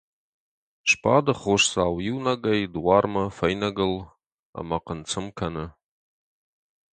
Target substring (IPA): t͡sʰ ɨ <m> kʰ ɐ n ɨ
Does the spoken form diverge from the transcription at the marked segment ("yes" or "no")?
no